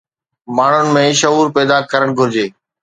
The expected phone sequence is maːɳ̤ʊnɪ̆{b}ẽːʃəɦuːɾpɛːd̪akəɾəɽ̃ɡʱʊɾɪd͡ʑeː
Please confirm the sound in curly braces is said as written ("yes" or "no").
no